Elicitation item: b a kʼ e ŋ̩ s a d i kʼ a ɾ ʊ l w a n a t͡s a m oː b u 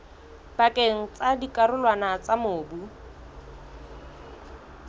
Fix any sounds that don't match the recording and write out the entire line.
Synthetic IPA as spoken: b a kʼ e ŋ̩ t͡s a d i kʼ a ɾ ʊ l w a n a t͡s a m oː b u